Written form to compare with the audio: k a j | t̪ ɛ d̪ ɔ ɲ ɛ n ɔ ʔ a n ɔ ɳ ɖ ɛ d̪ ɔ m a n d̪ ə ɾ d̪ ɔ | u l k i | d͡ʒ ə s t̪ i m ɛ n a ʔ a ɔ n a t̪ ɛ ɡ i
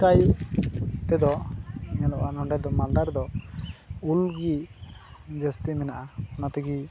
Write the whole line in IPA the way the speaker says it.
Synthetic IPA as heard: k a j | t̪ ɛ d̪ ɔ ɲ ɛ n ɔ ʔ a n ɔ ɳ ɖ ɛ d̪ ɔ m a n d̪ a ɾ d̪ ɔ | u l ɡ i | d͡ʒ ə s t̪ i m ɛ n a ʔ a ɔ n a t̪ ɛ ɡ i